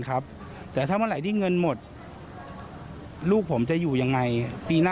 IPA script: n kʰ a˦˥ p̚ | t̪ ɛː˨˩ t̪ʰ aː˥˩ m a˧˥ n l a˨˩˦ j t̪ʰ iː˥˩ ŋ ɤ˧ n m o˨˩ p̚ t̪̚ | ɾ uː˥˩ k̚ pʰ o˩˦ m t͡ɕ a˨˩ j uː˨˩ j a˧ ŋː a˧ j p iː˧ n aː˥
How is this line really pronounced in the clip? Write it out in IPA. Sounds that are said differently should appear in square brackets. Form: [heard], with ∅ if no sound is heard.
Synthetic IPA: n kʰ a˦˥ p̚ | t̪ ɛː˨˩ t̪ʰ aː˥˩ m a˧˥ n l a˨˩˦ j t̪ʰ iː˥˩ ŋ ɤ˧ n m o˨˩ [∅] t̪̚ | [l] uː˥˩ k̚ pʰ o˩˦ m t͡ɕ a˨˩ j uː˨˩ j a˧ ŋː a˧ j p iː˧ n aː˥